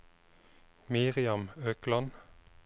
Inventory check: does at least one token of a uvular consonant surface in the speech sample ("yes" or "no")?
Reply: yes